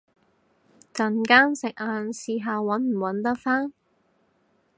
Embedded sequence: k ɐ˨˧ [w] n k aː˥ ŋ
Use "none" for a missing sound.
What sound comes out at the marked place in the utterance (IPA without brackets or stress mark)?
none